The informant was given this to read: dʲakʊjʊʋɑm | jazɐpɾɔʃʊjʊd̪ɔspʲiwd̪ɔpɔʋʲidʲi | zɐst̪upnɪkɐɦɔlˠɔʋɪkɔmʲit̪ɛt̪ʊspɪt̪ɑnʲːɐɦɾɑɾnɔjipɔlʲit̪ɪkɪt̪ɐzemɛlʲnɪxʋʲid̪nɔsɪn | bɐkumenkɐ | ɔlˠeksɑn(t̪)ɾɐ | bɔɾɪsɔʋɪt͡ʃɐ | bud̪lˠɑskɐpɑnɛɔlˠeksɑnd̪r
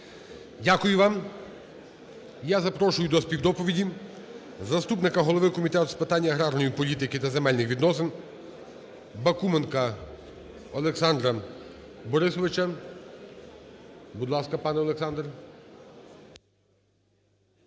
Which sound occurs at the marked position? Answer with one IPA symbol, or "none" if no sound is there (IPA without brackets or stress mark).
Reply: d̪